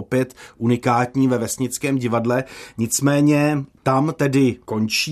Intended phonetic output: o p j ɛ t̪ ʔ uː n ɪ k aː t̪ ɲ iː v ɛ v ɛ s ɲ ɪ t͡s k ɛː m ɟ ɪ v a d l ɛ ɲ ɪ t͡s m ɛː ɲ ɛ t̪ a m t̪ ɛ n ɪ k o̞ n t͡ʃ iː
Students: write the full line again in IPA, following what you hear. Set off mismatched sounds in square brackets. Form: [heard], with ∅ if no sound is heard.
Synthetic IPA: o p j ɛ t̪ ʔ [u] n ɪ k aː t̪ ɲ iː v ɛ v ɛ s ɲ ɪ t͡s k ɛː m ɟ ɪ v a d l ɛ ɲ ɪ t͡s m ɛː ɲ ɛ t̪ a m t̪ ɛ [d] ɪ k o̞ n t͡ʃ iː